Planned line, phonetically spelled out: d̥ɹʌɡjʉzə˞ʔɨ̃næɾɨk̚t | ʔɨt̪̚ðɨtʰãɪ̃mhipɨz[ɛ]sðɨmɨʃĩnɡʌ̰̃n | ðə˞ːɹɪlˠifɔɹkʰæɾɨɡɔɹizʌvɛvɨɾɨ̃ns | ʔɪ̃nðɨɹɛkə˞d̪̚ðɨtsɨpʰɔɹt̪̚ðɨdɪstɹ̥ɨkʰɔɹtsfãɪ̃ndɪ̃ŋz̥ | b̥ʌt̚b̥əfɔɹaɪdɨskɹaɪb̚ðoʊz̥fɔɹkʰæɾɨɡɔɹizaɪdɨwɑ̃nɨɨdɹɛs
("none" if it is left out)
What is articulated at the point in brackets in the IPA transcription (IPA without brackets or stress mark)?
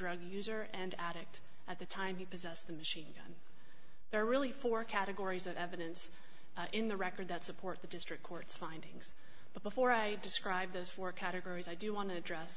ɛ